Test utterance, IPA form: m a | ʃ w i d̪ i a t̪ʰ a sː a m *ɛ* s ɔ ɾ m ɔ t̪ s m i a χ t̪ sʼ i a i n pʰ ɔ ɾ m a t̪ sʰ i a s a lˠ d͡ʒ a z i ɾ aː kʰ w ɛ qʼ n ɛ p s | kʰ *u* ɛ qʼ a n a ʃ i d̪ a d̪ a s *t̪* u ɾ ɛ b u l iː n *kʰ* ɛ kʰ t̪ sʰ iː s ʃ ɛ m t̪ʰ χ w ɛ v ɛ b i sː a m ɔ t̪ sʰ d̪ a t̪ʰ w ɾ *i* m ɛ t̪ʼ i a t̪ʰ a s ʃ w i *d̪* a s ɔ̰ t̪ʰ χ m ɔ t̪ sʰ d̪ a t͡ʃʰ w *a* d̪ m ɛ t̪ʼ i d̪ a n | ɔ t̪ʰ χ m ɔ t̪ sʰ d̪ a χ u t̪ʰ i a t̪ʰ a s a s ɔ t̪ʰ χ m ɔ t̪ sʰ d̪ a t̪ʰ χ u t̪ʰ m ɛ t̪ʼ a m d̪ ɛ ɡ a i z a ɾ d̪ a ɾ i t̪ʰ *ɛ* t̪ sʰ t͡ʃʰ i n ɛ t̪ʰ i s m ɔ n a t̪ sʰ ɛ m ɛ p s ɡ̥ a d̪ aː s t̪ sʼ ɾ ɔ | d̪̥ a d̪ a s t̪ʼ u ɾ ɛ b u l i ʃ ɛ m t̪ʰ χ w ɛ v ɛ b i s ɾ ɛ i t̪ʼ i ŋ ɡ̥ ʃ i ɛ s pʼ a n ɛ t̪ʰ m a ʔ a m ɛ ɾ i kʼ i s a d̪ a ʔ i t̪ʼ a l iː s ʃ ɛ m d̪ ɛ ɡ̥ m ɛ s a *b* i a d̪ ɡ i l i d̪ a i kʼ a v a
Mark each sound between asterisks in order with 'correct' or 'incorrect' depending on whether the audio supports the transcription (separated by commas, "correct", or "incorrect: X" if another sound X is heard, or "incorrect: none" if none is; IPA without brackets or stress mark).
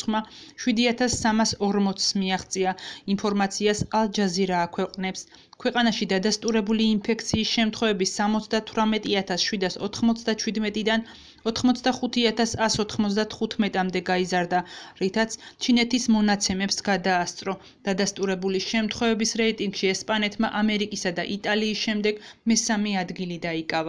incorrect: a, incorrect: w, incorrect: t̪ʼ, incorrect: pʰ, incorrect: a, correct, incorrect: i, incorrect: a, incorrect: m